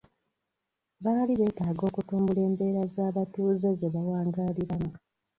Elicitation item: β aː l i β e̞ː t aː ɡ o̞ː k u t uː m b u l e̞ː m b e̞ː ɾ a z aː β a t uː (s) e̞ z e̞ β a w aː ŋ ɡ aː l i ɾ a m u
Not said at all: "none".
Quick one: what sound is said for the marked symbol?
z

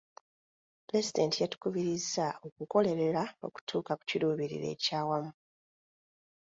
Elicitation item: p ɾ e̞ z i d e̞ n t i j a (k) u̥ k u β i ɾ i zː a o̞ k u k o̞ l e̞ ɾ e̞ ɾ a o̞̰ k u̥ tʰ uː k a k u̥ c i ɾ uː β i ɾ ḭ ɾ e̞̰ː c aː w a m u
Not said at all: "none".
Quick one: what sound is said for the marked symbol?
t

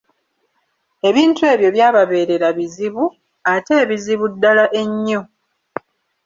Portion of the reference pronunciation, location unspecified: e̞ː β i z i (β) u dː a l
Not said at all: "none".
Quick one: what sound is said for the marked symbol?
β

